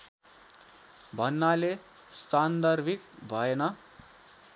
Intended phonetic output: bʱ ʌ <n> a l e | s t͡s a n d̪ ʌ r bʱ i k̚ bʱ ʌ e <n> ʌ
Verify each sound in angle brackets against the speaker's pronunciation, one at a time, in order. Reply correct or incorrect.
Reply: incorrect, correct

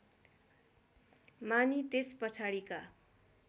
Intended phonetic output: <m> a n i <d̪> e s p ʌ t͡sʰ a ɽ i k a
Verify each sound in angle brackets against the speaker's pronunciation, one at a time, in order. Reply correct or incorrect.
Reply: correct, incorrect

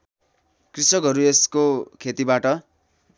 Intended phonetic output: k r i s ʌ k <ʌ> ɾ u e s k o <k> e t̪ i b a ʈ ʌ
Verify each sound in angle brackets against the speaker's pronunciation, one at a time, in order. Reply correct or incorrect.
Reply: correct, incorrect

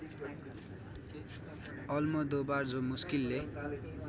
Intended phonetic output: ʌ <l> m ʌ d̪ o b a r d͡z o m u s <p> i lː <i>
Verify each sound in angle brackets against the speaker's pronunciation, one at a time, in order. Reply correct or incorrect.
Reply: correct, incorrect, incorrect

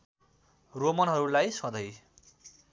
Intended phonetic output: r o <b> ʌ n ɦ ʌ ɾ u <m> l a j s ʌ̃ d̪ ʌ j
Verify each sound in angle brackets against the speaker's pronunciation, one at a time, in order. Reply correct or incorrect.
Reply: incorrect, incorrect

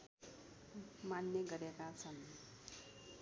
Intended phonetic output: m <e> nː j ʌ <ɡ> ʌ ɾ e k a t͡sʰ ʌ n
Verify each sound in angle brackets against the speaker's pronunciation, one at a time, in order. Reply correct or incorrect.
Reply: incorrect, correct

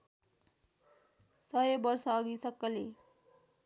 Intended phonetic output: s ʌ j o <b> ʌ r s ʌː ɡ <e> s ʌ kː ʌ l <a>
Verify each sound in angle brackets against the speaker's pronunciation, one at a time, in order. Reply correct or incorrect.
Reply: correct, incorrect, incorrect

